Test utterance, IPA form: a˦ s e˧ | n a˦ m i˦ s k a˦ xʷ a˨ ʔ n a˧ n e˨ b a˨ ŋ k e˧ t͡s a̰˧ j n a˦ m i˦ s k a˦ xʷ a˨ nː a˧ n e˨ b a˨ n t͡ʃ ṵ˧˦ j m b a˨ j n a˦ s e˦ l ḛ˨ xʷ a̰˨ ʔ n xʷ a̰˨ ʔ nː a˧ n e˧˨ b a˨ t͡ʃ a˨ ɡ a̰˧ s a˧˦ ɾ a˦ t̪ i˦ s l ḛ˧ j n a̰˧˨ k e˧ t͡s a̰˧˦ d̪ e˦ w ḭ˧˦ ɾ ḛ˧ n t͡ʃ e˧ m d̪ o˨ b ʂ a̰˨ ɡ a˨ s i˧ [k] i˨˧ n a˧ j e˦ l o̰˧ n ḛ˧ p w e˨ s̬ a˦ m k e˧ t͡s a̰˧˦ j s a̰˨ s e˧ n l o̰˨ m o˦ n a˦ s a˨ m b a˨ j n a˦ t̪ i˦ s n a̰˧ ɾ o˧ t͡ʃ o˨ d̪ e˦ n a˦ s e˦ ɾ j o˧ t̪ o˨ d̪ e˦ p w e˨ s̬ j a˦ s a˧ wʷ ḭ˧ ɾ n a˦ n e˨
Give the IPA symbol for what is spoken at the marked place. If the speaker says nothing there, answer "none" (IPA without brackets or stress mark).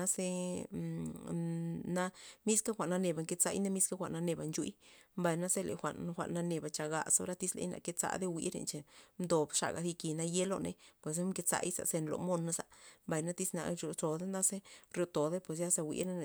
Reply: k